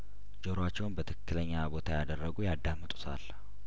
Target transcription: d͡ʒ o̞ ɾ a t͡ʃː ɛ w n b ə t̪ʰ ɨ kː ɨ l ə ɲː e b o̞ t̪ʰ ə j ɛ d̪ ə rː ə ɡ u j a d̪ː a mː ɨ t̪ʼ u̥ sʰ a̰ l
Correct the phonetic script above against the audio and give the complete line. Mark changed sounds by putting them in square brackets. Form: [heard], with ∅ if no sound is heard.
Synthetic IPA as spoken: d͡ʒ o̞ ɾ a t͡ʃː ɛ w n b ə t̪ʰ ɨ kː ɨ l ə ɲː [a] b o̞ t̪ʰ [a] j [a] d̪ ə rː ə ɡ u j a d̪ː a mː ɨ t̪ʼ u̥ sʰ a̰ l